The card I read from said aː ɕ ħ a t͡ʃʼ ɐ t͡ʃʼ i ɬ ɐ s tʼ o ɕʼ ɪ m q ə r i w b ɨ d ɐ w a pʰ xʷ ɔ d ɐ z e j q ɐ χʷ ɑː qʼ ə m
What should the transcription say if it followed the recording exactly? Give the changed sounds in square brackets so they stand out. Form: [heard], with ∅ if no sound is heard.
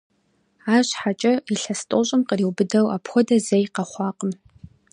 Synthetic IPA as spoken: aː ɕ ħ a t͡ʃʼ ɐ [∅] i ɬ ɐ s tʼ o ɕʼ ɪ m q ə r i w b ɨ d ɐ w a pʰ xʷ ɔ d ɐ z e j q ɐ χʷ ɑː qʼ ə m